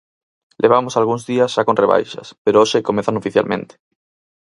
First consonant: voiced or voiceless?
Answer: voiced